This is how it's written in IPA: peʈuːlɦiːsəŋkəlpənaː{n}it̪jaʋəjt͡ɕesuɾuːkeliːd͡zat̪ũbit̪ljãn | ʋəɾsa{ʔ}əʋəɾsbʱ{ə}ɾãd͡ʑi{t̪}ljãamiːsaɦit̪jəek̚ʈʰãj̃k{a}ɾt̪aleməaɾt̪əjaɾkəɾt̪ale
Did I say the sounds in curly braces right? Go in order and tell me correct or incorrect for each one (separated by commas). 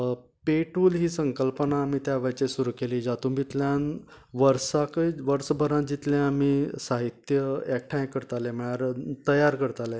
incorrect, incorrect, correct, correct, incorrect